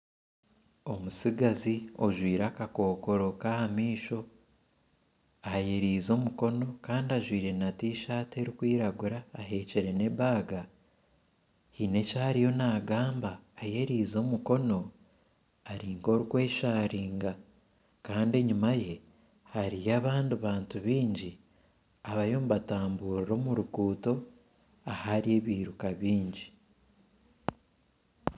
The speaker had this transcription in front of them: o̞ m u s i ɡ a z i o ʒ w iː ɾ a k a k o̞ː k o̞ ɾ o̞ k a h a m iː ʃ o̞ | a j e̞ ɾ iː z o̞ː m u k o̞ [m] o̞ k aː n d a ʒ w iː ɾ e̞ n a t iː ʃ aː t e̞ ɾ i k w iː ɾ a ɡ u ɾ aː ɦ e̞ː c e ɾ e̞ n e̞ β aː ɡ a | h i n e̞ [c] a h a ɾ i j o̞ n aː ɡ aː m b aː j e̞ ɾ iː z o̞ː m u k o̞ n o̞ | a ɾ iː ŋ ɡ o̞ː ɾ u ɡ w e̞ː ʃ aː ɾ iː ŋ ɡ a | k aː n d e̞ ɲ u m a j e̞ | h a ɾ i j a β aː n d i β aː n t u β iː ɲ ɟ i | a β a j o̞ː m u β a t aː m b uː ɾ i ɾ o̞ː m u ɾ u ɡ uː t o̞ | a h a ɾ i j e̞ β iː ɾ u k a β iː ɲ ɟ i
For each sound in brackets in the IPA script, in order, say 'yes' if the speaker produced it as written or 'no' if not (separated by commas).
no, yes